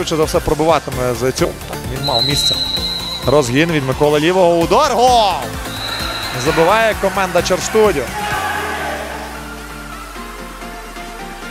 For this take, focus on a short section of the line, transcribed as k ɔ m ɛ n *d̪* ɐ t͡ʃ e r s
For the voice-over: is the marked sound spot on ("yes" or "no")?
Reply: yes